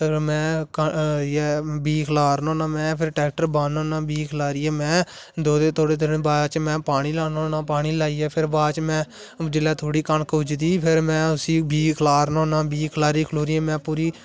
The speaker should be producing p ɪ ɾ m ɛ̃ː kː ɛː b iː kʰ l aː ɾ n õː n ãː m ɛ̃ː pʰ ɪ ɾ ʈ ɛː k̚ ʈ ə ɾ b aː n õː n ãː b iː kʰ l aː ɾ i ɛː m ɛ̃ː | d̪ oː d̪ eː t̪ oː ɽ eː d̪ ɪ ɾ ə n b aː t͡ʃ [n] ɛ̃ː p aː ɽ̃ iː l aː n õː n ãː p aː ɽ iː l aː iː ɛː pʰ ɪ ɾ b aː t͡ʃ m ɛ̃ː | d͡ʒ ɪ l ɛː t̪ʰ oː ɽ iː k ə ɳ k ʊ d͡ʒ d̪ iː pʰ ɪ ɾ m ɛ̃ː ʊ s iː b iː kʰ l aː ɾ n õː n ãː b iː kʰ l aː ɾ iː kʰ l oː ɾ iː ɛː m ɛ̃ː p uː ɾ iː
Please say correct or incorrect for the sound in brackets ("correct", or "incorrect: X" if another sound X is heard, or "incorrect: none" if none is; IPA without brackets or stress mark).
incorrect: m